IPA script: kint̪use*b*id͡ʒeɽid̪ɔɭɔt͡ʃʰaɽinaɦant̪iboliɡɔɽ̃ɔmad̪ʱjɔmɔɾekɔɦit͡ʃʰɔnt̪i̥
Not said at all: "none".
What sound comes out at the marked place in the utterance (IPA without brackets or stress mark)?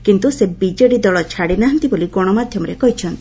b